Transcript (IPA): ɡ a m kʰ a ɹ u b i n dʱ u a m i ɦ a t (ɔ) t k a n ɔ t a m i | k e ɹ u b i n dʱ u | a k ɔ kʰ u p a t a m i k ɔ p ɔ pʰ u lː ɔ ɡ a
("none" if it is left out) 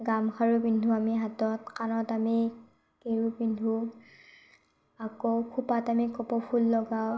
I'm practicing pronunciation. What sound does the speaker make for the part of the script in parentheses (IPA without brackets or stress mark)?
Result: ɔ